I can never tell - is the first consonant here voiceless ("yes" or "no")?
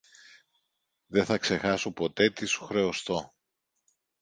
no